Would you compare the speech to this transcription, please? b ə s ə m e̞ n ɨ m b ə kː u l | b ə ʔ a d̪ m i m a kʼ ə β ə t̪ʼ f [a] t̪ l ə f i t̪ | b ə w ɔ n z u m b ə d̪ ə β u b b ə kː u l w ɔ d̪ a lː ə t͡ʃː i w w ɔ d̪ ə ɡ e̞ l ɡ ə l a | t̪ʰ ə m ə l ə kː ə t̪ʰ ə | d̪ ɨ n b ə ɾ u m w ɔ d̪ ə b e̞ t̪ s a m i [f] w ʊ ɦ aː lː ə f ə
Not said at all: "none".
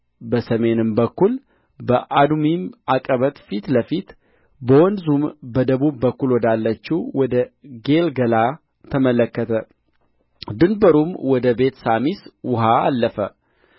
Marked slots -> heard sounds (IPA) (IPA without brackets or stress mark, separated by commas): i, s